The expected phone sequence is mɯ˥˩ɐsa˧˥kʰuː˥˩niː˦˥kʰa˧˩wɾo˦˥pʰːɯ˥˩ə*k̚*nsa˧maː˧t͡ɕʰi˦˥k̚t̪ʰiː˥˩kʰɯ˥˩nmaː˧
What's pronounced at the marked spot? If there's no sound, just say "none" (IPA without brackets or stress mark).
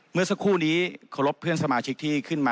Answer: none